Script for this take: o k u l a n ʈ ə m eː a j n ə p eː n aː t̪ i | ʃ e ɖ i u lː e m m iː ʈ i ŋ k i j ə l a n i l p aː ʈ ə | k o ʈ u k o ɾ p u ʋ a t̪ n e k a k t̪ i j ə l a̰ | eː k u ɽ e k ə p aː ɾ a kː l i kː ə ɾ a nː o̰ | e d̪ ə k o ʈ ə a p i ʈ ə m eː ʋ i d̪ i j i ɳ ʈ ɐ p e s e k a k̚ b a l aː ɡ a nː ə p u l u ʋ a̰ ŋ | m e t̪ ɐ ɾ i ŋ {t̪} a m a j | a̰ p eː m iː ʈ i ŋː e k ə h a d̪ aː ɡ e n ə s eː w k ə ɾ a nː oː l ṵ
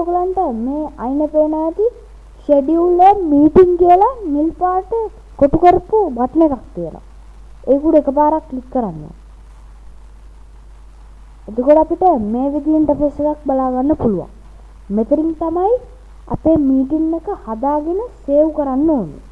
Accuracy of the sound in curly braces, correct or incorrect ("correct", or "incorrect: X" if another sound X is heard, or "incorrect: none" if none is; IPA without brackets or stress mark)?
correct